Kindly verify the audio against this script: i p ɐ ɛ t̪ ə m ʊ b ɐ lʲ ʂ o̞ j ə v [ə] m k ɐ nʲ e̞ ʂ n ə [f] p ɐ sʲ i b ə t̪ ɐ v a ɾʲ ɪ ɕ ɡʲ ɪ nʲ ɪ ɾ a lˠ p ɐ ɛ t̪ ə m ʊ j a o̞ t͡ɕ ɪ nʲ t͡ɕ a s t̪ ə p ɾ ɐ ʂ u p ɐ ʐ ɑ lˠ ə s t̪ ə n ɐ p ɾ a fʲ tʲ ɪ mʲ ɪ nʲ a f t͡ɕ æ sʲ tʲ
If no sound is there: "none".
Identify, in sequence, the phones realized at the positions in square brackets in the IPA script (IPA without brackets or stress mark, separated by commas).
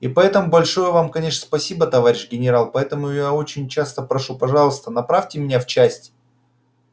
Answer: a, s